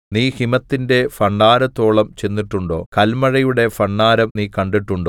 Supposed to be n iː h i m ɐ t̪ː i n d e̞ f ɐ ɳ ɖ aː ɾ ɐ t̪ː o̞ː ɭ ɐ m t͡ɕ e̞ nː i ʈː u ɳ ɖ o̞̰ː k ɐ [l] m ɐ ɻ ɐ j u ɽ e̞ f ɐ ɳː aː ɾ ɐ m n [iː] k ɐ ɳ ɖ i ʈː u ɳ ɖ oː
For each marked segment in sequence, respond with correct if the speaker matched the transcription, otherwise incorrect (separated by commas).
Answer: correct, correct